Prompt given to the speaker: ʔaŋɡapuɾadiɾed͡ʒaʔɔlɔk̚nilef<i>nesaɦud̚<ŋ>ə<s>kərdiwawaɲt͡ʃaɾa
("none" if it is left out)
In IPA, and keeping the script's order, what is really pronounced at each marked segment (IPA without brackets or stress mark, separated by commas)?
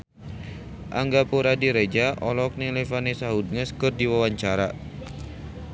a, ŋ, s